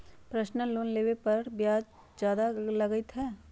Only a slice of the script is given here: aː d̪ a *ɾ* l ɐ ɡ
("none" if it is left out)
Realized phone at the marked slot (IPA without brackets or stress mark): none